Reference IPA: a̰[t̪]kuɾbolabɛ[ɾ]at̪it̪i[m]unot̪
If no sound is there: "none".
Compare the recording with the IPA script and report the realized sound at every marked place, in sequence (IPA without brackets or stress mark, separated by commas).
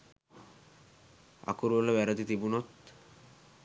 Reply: none, ɾ, b